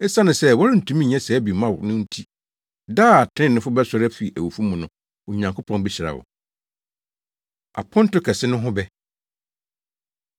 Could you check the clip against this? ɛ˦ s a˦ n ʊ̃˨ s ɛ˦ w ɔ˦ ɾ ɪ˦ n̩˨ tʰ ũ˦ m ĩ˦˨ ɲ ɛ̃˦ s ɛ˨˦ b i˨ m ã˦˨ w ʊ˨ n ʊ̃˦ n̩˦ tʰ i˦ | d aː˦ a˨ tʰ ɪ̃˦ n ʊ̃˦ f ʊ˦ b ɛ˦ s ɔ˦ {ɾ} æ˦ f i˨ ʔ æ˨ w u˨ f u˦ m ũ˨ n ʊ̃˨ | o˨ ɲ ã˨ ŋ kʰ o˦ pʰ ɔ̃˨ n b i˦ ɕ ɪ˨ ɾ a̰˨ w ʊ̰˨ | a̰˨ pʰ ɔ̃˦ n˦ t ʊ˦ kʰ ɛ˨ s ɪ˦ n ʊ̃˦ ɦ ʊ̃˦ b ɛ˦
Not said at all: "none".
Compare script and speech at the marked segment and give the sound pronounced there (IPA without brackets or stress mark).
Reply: ɾ